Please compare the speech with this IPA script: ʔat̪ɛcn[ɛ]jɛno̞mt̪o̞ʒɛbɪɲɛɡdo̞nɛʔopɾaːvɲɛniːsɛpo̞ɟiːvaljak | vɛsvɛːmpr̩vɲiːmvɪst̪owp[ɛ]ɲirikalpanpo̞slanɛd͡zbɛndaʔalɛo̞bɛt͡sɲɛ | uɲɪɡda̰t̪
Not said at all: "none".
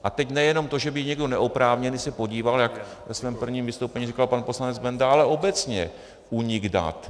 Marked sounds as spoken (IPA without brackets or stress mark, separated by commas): ɛ, ɛ